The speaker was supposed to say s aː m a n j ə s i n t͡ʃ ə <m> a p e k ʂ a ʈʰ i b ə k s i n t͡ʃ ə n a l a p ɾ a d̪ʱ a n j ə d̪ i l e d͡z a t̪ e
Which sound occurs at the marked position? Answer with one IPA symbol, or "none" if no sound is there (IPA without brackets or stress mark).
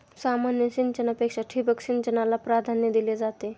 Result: n